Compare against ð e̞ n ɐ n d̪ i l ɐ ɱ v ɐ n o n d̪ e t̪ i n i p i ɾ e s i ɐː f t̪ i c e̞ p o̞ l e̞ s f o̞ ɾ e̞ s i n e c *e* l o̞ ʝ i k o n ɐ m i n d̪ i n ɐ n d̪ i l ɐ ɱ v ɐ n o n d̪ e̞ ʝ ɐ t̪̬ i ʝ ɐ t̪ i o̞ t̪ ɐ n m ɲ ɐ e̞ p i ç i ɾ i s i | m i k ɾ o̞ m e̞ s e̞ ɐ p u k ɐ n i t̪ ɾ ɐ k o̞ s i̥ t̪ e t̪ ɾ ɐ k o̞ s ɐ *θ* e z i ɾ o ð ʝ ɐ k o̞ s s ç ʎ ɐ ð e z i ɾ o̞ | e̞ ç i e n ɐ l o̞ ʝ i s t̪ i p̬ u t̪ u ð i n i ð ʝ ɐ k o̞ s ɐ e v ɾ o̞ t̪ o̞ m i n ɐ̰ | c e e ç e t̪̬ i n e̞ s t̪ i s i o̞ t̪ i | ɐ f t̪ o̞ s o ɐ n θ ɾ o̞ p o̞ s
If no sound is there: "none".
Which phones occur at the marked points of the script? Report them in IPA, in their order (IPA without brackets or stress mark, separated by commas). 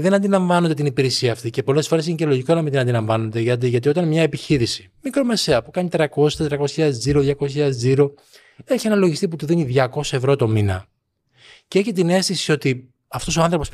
e, ð